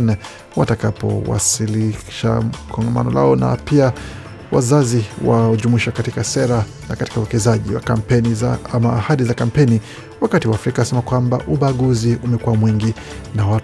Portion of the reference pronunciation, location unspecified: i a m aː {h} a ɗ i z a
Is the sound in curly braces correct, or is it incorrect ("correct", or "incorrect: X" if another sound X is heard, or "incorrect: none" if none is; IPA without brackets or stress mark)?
correct